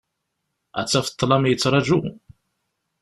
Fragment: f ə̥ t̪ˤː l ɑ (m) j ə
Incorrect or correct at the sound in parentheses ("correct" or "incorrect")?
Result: correct